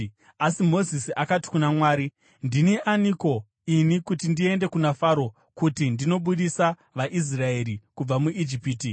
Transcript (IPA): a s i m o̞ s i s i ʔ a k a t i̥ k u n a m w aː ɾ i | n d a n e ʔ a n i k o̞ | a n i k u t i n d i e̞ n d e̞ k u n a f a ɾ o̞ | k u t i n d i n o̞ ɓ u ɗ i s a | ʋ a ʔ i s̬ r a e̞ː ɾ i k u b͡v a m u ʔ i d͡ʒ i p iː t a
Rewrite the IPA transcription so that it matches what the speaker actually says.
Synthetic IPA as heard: a s i m o̞ z i s i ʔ a k a t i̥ k u n a m w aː ɾ i | n d i n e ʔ a n i k o̞ | i n i k u t i n d i e̞ n d e̞ k u n a f a ɾ o̞ | k u t i n d i n o̞ ɓ u ɗ i s a | ʋ a ʔ i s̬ r a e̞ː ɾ i k u b͡v a m u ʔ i d͡ʒ i p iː t i